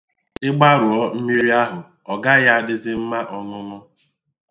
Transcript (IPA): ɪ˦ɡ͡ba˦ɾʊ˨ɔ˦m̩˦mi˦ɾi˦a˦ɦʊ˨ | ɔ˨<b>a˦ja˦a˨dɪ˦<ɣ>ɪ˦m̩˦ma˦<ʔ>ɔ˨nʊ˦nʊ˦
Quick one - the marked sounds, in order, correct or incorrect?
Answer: incorrect, incorrect, correct

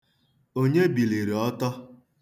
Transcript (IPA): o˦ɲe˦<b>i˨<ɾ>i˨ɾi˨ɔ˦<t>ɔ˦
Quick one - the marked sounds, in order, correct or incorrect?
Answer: correct, incorrect, correct

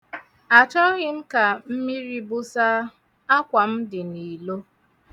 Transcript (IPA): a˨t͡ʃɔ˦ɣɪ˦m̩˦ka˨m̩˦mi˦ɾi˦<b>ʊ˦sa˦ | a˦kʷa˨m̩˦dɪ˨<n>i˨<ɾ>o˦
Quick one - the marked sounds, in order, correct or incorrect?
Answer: correct, correct, incorrect

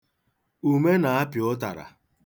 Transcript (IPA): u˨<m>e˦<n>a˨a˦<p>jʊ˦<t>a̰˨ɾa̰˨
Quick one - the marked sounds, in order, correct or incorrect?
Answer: correct, correct, correct, correct

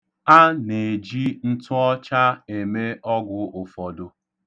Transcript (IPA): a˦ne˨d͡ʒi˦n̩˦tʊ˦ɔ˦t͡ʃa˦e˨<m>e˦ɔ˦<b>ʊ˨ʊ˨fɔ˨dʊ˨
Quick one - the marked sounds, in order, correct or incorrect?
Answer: correct, incorrect

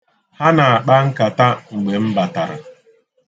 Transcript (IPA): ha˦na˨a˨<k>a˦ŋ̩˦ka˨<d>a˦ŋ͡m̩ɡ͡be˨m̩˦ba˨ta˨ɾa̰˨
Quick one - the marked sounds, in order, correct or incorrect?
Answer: incorrect, incorrect

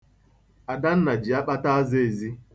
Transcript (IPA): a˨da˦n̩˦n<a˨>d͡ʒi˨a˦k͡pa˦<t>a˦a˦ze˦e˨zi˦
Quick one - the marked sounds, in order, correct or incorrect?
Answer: correct, correct

